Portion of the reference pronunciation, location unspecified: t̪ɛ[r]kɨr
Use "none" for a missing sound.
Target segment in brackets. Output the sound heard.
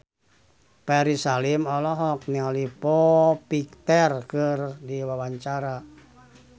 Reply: r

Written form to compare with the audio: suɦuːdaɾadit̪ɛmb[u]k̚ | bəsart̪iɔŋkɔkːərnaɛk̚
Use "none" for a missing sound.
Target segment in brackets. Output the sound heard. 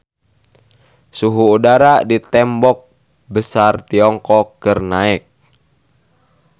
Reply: ɔ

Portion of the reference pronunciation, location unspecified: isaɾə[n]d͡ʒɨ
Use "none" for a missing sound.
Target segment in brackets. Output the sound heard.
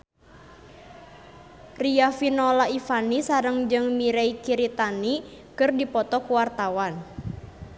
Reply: ŋ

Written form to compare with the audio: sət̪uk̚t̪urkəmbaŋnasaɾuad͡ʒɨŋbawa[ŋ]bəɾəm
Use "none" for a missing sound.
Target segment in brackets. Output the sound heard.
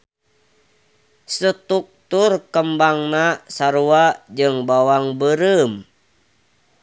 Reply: ŋ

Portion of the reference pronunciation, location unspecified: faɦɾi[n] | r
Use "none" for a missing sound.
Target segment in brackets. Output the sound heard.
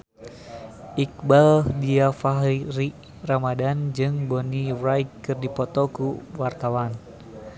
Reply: none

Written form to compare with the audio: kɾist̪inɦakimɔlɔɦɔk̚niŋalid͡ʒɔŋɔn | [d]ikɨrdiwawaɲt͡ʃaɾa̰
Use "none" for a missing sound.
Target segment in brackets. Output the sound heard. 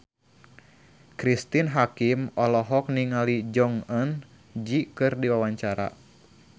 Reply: d͡ʒ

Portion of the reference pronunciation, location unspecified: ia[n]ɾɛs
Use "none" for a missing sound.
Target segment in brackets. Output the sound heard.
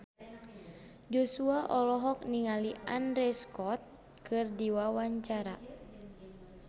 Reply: n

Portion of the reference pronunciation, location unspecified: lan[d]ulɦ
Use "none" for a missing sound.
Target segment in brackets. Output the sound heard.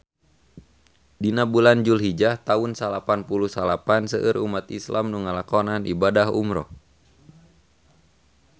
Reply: d͡ʒ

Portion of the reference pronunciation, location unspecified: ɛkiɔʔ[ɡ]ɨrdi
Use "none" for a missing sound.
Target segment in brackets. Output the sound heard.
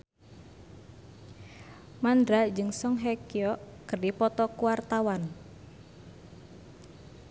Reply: k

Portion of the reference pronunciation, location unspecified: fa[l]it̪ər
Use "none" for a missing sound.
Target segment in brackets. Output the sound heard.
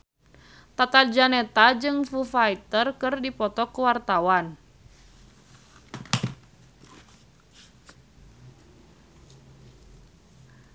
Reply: none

